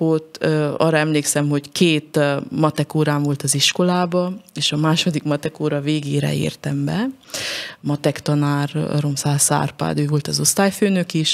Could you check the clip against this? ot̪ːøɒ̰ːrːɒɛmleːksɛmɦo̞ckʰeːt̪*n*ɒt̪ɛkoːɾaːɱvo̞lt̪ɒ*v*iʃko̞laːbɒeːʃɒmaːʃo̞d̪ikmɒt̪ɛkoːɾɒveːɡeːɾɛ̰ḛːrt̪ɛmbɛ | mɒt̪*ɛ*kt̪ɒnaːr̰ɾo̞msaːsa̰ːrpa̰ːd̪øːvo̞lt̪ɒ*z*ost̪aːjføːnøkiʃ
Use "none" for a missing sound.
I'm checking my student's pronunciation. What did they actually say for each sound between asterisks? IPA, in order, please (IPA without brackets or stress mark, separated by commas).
m, z, ɛ, z